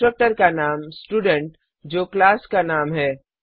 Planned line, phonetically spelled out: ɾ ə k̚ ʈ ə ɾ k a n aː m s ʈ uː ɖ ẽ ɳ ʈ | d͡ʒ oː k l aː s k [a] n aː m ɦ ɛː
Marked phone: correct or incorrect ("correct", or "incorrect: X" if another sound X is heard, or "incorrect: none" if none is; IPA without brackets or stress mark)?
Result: correct